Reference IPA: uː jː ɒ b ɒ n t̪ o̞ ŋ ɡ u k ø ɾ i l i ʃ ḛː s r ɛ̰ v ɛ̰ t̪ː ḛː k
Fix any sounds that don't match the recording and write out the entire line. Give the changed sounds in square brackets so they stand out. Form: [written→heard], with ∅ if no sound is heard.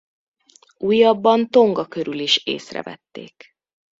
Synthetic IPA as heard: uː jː ɒ [b→bː] ɒ n t̪ o̞ ŋ ɡ [u→ɒ] k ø ɾ [i→y] l i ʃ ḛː s r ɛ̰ v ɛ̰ t̪ː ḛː k